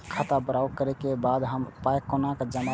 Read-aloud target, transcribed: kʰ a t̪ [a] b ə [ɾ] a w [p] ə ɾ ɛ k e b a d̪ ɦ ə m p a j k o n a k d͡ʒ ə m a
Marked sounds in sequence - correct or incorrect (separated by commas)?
correct, correct, incorrect